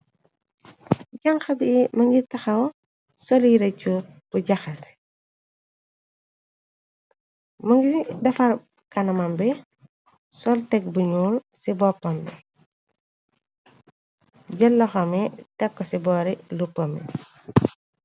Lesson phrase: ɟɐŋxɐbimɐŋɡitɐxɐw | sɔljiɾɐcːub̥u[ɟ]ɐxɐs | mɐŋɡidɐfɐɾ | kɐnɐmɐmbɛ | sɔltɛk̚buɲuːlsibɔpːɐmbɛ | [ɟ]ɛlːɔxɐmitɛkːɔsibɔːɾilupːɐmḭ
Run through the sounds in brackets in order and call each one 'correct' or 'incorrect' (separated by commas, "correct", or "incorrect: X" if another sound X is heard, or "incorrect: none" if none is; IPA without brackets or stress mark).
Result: correct, correct